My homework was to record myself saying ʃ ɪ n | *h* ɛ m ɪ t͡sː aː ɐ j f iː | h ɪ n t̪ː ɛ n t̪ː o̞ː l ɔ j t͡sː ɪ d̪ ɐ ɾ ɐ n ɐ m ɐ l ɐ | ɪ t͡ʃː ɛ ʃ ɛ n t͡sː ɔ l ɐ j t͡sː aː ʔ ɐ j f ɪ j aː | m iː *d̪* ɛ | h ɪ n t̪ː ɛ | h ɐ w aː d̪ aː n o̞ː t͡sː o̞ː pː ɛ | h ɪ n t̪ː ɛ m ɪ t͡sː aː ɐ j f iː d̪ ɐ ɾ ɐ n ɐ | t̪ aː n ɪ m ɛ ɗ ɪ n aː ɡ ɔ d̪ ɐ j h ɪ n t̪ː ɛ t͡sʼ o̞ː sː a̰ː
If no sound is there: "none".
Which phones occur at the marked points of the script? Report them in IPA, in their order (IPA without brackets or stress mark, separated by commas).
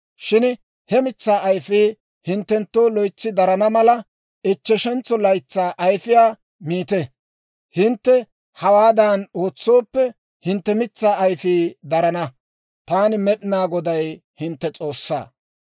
h, t̪